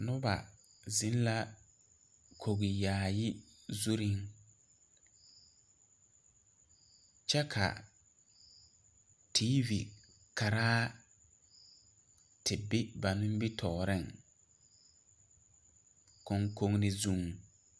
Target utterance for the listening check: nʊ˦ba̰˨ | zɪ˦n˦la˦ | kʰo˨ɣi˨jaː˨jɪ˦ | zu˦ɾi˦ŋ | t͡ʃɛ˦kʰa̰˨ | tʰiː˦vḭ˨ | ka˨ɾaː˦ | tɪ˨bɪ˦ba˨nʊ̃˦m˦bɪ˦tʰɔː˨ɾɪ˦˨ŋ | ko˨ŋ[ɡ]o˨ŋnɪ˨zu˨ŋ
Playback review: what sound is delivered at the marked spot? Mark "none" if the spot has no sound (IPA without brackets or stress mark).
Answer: k